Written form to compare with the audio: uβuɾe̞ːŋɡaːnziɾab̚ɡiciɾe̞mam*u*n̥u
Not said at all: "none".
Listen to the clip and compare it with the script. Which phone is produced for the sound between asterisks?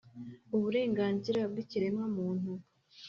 uː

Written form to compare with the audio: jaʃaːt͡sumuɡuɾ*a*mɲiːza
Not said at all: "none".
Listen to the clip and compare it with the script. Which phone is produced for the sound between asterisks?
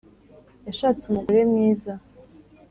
e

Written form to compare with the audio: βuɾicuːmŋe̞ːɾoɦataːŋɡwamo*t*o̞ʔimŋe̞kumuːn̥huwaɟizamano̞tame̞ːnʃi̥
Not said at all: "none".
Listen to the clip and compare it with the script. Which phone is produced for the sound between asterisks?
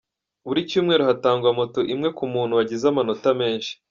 t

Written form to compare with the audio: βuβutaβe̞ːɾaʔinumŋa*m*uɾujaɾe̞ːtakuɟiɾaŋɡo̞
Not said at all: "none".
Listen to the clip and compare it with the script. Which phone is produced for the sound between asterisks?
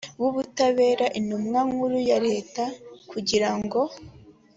ŋ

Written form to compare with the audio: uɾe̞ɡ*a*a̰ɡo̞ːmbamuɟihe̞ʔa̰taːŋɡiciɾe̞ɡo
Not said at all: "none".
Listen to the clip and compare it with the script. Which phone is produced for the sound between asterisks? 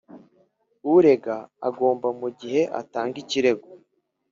a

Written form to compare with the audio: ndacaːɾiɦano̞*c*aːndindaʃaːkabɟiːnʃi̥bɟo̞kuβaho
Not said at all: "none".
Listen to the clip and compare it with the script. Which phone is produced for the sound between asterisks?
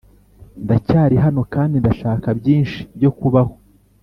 k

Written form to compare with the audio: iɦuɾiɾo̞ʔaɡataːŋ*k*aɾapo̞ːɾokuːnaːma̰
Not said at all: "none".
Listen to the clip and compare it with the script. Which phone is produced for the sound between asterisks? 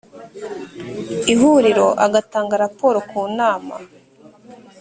ɡ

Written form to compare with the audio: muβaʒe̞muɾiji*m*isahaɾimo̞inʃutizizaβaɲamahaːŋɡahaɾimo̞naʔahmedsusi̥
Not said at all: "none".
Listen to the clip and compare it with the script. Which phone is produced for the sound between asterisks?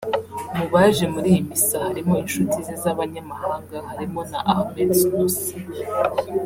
m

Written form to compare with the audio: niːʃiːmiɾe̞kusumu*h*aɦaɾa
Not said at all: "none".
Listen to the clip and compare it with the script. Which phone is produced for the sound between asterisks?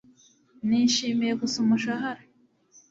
ʃ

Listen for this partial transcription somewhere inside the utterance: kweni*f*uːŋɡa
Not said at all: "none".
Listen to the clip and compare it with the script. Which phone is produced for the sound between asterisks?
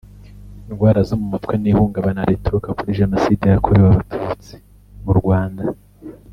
h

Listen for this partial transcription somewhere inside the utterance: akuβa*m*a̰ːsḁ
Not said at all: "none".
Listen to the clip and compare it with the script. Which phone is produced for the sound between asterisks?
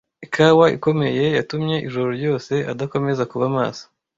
m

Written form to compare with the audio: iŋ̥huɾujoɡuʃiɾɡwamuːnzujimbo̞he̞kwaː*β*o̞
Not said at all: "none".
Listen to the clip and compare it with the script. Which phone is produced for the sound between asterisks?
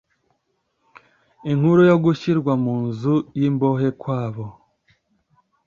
β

